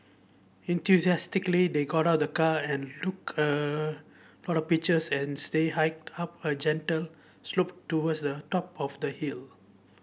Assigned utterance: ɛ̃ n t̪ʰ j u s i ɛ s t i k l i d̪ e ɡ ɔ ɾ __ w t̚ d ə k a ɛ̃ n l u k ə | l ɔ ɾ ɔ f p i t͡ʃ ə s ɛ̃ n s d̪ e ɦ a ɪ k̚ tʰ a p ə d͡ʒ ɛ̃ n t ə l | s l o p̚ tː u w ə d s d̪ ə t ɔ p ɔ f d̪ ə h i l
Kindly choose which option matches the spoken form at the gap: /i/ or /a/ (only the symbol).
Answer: a